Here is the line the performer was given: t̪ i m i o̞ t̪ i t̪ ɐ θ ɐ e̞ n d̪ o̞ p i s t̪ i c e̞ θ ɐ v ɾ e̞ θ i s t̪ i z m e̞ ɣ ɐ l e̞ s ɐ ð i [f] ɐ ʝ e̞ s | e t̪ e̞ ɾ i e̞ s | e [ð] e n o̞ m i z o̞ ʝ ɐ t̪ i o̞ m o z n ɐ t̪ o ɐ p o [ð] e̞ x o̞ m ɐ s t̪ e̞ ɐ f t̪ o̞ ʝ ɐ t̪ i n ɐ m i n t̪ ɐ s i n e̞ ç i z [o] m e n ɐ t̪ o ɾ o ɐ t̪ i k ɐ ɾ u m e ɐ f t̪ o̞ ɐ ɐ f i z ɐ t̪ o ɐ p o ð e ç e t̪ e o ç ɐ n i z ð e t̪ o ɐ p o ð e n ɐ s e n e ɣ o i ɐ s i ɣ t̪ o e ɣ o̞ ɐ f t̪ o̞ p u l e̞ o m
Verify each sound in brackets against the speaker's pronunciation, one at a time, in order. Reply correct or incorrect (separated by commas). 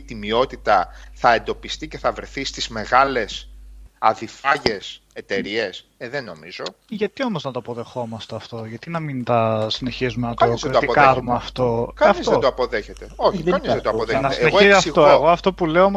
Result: correct, correct, correct, incorrect